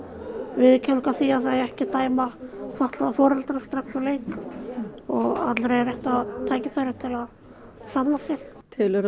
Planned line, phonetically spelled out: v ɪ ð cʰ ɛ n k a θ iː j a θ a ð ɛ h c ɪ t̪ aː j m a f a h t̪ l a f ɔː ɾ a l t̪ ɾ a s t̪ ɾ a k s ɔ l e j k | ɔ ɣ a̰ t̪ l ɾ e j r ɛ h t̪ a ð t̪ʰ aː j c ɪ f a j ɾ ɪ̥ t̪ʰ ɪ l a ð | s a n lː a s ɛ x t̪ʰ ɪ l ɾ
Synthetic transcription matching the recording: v ɪ ð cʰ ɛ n k a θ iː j a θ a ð ɛ h c ɪ t̪ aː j m a f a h t̪ l a f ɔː ɾ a l t̪ ɾ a s t̪ ɾ a k s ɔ l e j k | ɔ ɣ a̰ t̪ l ɾ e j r ɛ h t̪ a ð t̪ʰ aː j c ɪ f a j ɾ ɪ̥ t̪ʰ ɪ l a ð | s a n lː a s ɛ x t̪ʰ ɪ l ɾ